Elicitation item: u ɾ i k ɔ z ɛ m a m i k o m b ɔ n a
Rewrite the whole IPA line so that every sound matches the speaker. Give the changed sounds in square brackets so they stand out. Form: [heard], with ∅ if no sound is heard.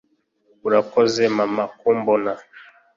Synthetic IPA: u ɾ [a] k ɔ z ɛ m a m [a] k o m b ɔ n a